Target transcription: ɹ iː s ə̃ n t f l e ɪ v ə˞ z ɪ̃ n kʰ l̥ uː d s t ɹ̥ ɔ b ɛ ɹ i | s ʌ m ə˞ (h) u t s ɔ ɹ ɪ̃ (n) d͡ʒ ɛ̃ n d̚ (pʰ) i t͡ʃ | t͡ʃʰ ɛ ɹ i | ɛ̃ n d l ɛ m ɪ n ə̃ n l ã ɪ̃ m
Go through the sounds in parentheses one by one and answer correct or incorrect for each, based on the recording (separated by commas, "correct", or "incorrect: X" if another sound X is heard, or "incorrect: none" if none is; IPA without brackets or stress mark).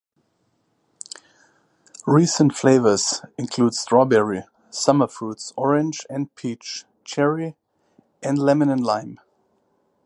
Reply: incorrect: f, correct, correct